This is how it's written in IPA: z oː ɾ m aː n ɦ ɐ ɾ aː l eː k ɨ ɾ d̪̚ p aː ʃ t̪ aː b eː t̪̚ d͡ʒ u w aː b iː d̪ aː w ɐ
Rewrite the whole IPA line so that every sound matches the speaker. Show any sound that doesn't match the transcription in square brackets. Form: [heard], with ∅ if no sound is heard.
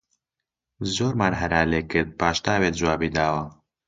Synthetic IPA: z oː ɾ m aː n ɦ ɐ ɾ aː l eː k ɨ ɾ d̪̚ p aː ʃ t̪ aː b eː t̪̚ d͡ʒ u w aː b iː d̪ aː w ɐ